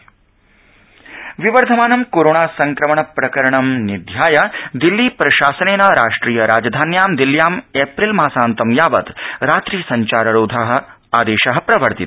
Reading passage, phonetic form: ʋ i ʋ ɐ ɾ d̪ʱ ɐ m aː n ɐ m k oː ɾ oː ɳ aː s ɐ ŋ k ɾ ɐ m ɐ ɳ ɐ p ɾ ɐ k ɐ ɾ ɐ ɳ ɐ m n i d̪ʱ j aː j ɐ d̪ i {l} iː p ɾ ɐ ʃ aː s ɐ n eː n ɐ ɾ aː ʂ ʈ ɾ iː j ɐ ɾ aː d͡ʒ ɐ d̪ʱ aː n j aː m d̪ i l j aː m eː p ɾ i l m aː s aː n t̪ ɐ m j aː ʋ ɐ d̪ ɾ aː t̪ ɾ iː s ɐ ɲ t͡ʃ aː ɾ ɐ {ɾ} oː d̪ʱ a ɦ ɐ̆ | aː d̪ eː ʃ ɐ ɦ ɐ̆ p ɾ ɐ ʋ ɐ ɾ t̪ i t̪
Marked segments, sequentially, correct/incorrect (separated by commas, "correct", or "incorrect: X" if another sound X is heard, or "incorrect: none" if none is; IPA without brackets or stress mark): incorrect: lː, correct